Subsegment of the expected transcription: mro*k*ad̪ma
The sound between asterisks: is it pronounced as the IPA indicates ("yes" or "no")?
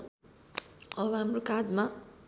yes